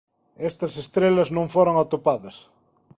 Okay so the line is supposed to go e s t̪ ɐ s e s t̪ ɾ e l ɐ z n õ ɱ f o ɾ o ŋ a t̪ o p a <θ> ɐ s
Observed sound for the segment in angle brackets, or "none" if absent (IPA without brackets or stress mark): ð